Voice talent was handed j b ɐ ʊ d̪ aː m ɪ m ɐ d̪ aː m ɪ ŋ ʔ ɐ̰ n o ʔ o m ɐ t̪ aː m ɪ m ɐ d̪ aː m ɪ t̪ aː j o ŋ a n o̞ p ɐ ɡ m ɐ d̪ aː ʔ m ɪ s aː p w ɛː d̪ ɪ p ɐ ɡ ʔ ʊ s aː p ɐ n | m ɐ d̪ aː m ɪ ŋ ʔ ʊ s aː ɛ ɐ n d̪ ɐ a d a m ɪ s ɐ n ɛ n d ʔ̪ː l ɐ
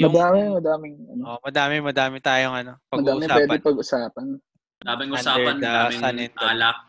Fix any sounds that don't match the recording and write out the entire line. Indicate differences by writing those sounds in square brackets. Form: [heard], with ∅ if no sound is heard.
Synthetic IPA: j [m] ɐ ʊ d̪ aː m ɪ m ɐ d̪ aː m ɪ ŋ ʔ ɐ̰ n o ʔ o m ɐ [d̪] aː m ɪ m ɐ d̪ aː m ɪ t̪ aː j o ŋ [ɐ] n o̞ p ɐ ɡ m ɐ d̪ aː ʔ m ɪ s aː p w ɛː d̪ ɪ p ɐ ɡ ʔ ʊ s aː p ɐ n | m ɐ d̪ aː m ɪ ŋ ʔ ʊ s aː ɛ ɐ n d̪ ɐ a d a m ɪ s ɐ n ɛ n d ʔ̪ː l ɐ